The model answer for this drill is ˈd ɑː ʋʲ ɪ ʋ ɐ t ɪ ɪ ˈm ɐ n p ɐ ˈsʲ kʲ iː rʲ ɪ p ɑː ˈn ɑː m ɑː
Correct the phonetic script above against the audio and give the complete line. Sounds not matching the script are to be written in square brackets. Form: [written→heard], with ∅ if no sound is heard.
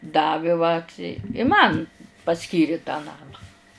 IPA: ˈd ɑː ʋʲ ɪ ʋ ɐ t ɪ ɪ ˈm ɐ n p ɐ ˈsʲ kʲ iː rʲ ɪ [p→t] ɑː ˈn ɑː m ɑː